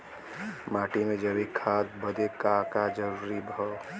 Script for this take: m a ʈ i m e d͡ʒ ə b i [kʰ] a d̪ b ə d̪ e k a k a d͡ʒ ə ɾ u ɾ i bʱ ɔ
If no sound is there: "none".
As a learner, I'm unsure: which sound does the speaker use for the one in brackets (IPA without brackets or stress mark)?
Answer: kʰ